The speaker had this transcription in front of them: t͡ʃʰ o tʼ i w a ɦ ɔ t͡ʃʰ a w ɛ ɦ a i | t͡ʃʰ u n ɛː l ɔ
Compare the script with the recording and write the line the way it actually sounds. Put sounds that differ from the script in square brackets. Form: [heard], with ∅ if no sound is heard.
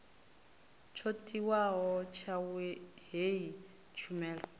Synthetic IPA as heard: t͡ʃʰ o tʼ i w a ɦ ɔ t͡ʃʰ a w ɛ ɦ [e] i | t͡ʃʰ u [m] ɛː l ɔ